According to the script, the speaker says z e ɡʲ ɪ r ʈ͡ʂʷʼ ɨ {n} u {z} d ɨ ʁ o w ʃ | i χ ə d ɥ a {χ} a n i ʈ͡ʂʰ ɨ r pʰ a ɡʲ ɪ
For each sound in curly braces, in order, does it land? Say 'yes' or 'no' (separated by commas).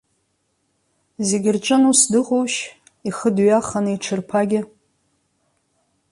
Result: yes, no, yes